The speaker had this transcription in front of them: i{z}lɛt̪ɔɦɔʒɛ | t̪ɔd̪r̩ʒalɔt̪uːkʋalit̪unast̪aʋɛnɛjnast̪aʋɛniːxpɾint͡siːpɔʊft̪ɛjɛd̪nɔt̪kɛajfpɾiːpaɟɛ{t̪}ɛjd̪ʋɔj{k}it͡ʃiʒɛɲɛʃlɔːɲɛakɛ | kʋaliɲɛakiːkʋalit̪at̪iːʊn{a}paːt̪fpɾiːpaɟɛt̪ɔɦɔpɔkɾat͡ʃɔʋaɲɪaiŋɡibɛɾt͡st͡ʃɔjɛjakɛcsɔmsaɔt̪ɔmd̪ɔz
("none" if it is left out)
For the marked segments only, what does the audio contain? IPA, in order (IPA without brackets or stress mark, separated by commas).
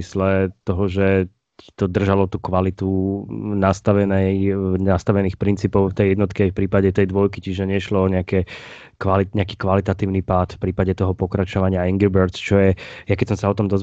s, t̪, k, i